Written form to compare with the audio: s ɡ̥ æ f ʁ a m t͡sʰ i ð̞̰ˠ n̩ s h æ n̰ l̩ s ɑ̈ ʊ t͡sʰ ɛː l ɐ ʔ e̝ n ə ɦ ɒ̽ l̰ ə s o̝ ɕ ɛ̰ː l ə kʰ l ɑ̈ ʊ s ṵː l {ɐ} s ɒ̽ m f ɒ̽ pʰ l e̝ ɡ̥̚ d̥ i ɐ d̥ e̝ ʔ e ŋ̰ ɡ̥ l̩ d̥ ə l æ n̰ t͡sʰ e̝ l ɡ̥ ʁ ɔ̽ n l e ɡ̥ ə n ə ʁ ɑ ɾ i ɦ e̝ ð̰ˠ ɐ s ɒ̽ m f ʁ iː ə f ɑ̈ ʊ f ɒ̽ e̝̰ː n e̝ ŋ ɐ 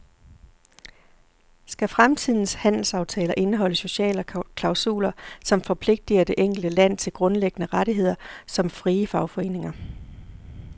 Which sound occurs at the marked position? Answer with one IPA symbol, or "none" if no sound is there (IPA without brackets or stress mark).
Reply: ɐ